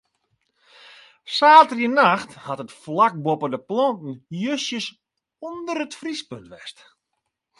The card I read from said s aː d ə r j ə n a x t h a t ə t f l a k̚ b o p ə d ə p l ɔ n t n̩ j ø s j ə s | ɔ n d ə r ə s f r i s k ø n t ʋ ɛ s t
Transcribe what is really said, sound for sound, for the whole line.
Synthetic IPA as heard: s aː t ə r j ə n a x t h a t ə t f l a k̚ b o p ə d ə p l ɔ n t n̩ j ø s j ə s | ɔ n d ə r ə t f r i s p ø n t ʋ ɛ s t